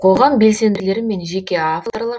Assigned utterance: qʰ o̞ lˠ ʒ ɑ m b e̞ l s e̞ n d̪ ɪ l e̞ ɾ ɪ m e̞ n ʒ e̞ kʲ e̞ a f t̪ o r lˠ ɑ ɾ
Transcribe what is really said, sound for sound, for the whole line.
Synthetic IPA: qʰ o̞ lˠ ʁ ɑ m b e̞ l s e̞ n d̪ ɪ l e̞ ɾ ɪ m e̞ n ʒ e̞ kʲ e̞ a f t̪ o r lˠ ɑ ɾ